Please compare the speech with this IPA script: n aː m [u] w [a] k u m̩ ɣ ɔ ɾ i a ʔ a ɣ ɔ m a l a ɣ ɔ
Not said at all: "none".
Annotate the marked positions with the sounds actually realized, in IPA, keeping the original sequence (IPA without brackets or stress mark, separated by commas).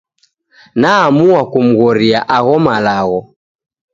u, a